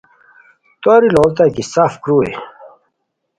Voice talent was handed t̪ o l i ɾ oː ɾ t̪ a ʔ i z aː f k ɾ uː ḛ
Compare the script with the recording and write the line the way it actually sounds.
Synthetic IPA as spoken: t̪ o ɾ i l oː l t̪ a k i s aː f k ɾ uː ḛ